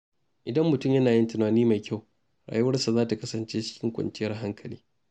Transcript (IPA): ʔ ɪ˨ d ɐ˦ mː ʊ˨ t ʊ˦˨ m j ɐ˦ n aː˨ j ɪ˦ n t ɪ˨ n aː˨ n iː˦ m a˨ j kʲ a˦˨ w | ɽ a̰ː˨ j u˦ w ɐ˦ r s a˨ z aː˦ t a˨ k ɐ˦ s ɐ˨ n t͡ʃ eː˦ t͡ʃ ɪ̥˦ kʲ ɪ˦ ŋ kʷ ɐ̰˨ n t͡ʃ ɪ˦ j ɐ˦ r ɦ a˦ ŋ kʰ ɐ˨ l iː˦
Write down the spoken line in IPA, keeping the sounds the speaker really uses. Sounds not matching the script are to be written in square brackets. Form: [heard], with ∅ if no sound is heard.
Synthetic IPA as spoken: ʔ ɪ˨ d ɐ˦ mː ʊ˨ t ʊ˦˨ m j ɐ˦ n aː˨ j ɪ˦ n t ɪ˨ n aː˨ n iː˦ m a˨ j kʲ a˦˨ w | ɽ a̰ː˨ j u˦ w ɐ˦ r s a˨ z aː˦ t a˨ k ɐ˦ s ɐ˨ n t͡ʃ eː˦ t͡ʃ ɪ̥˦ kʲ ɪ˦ ŋ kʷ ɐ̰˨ n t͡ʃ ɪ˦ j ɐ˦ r ɦ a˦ ŋ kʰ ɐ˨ l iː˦